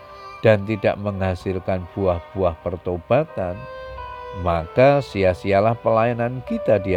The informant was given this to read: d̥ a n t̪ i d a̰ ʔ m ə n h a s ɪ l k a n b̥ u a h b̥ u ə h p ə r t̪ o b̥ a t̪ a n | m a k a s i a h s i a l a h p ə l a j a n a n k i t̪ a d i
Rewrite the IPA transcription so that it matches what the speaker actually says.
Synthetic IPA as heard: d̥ a n t̪ i d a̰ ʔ m ə ŋ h a s ɪ l k a n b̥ u a h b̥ u a h p ə r t̪ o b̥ a t̪ a n | m a k a s i a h s i a l a h p ə l a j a n a n k i t̪ a d i